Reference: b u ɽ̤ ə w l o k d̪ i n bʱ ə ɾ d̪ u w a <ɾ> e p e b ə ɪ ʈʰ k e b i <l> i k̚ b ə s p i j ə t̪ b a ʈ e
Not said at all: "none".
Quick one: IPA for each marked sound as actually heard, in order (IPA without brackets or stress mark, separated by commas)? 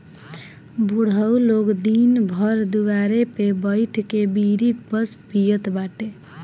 ɾ, ɾ